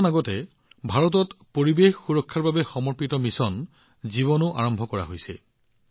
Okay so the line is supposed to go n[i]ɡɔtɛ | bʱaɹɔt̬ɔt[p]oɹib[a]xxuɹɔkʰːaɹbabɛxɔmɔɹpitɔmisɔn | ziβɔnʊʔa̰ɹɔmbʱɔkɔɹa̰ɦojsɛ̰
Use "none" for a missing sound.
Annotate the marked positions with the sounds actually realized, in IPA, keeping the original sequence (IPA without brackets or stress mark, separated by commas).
a, p, e